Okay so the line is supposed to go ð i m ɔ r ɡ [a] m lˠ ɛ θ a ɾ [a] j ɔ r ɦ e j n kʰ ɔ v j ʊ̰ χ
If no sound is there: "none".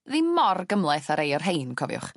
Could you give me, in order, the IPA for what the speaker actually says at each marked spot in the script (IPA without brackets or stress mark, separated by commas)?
ə, e